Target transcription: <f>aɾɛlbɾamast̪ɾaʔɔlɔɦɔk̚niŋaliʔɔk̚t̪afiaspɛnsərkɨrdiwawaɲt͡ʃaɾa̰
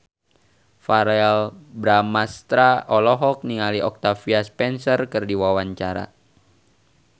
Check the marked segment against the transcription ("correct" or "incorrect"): correct